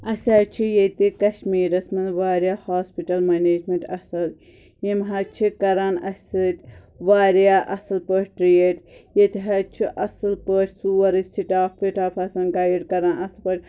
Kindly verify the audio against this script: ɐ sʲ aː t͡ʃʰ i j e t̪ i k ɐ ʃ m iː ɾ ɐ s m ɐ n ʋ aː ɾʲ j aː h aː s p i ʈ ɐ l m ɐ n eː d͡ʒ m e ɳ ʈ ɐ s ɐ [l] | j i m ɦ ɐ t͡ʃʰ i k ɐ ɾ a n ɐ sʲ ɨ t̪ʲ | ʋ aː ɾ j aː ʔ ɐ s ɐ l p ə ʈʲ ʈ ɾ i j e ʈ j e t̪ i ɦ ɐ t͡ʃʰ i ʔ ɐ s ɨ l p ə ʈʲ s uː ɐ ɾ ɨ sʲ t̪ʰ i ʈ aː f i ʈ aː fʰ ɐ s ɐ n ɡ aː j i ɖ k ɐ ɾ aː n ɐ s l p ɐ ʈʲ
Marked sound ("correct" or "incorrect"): correct